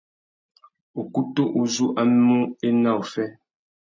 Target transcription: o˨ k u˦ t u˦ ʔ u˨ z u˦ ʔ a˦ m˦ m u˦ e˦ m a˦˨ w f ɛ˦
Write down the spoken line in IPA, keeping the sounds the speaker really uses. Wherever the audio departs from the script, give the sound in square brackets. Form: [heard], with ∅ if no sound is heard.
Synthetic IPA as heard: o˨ k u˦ t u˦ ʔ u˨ z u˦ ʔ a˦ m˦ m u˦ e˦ [n] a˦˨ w f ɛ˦